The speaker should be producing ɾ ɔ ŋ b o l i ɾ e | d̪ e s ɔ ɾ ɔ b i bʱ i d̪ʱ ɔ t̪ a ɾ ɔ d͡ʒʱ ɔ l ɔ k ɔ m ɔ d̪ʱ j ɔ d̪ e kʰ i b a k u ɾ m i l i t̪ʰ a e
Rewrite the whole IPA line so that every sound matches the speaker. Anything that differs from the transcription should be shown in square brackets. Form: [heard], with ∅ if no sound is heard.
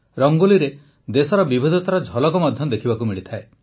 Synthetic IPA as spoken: ɾ ɔ ŋ [ɡ] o l i ɾ e | d̪ e s ɔ ɾ ɔ b i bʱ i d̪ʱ ɔ t̪ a ɾ ɔ d͡ʒʱ ɔ l ɔ k ɔ m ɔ d̪ʱ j ɔ d̪ e kʰ i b a k u [∅] m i [ɭ] i t̪ʰ a e